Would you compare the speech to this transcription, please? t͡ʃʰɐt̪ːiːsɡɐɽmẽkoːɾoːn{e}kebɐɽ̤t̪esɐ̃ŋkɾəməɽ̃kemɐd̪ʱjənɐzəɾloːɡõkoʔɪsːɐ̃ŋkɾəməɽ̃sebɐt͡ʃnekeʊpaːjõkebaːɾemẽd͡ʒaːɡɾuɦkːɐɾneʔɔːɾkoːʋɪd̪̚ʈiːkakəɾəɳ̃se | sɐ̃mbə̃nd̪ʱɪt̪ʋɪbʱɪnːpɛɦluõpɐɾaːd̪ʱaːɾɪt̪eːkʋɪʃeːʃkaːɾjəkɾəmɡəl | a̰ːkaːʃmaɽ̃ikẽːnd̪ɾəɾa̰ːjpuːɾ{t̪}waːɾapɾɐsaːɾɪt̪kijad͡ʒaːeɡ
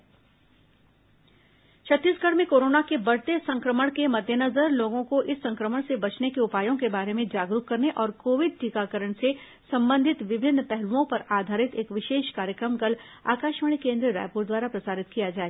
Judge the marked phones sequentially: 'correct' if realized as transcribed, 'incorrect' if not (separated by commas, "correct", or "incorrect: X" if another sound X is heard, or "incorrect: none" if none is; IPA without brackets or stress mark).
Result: incorrect: a, incorrect: d̪